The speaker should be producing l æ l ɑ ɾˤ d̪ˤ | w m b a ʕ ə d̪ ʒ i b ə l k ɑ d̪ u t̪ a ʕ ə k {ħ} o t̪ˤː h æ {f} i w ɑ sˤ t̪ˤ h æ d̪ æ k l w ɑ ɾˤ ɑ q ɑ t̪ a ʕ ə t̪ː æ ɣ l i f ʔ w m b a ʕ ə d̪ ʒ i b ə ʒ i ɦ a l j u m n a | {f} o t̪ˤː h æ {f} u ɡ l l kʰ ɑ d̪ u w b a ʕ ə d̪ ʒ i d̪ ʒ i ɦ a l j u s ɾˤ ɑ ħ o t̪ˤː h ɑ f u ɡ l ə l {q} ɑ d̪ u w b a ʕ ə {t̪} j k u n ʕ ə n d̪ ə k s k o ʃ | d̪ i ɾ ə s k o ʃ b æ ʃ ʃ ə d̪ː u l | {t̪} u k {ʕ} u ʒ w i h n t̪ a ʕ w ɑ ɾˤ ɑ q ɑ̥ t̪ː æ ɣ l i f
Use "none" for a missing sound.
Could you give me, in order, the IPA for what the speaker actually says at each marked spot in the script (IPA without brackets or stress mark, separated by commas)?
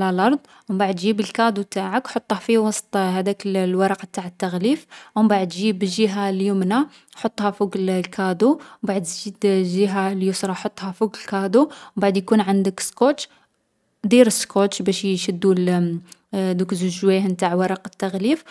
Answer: ħ, f, ħ, f, k, d̪, d̪, z